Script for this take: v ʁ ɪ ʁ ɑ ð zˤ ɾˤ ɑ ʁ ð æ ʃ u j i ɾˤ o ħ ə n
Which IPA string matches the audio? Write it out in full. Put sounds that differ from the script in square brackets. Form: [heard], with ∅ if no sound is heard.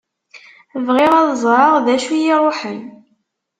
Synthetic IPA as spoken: v ʁ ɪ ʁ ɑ ð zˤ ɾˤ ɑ ʁ ð æ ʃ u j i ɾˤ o ħ ə n